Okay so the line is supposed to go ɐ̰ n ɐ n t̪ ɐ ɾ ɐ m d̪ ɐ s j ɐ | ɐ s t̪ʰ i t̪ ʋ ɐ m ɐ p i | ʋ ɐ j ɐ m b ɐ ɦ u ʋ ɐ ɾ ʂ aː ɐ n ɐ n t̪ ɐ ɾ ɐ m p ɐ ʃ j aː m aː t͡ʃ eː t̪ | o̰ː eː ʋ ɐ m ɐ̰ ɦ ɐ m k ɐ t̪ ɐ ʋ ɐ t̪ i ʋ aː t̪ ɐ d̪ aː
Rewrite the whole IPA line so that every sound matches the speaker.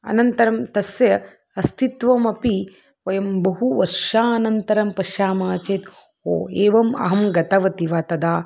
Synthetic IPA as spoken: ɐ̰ n ɐ n t̪ ɐ ɾ ɐ m t̪ ɐ s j ɐ | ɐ s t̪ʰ i t̪ ʋ ɐ m ɐ p i | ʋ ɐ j ɐ m b ɐ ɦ u ʋ ɐ ɾ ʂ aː ɐ n ɐ n t̪ ɐ ɾ ɐ m p ɐ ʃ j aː m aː t͡ʃ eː t̪ | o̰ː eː ʋ ɐ m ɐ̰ ɦ ɐ m ɡ ɐ t̪ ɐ ʋ ɐ t̪ i ʋ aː t̪ ɐ d̪ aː